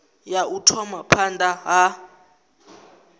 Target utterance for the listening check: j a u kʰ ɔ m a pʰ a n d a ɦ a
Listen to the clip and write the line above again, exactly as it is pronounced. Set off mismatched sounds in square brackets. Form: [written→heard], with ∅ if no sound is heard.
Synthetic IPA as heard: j a u [kʰ→tʰ] ɔ m a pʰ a n d a ɦ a